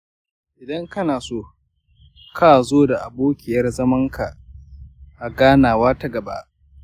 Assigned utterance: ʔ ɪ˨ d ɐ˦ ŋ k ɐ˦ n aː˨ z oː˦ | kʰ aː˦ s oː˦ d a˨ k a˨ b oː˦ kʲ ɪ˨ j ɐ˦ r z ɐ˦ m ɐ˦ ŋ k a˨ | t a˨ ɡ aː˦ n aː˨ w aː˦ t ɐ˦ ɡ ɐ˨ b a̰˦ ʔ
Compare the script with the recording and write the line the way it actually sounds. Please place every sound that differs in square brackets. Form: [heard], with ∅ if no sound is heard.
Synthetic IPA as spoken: ʔ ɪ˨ d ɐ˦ ŋ k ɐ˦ n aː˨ [s] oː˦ | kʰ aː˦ [z] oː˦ d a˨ [ʔ] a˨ b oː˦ kʲ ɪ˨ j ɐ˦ r z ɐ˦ m ɐ˦ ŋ k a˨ | [ʔ] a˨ ɡ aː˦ n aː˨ w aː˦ t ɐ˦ ɡ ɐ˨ b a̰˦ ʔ